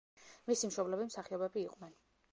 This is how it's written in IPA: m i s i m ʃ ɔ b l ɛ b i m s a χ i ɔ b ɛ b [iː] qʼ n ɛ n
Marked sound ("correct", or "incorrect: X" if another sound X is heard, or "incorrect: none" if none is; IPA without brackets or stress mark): correct